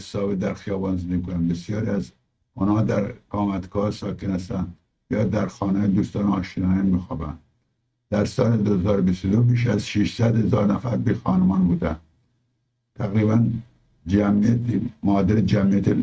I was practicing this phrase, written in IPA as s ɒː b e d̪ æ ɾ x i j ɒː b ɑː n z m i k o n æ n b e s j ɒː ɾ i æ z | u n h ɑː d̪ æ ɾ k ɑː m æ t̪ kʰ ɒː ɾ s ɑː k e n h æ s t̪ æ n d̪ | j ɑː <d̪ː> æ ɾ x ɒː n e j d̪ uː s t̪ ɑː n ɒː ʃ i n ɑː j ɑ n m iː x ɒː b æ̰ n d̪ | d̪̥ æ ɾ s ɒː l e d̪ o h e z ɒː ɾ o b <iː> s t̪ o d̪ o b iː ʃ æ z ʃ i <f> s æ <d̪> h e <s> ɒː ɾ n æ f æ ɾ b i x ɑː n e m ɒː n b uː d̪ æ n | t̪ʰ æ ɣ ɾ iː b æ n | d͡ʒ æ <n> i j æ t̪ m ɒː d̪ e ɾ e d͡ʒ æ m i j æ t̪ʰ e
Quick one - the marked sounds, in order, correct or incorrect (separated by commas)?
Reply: incorrect, incorrect, incorrect, correct, incorrect, incorrect